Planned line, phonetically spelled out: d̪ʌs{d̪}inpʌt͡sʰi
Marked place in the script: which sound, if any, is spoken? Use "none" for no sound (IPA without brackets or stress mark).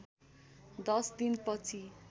d̪